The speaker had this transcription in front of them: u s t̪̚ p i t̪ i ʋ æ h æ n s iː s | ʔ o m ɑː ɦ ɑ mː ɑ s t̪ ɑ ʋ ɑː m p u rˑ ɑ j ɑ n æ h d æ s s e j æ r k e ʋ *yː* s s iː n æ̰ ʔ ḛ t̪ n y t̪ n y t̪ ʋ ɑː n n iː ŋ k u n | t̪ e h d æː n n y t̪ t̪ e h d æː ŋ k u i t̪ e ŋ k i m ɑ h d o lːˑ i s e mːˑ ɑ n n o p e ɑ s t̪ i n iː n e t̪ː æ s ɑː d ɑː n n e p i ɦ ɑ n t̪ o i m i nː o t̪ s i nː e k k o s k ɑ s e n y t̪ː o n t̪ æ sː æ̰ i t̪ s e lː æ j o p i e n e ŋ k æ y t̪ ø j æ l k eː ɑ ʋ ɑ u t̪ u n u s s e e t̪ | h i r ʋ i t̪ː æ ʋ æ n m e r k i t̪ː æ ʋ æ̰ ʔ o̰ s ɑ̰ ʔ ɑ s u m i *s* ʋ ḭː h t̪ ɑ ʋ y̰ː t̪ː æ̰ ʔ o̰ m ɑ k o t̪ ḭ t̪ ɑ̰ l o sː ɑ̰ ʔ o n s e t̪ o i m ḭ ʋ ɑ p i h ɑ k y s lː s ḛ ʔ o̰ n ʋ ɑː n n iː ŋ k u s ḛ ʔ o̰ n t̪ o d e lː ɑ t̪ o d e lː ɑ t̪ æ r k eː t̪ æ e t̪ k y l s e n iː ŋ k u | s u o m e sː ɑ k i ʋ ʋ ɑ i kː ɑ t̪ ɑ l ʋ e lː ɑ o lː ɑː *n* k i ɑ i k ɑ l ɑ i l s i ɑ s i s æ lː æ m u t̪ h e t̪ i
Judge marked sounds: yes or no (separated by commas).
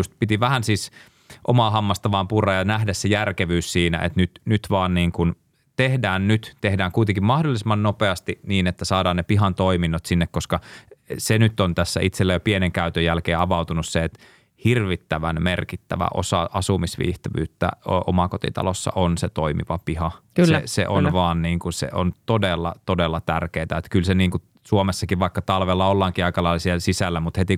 yes, yes, no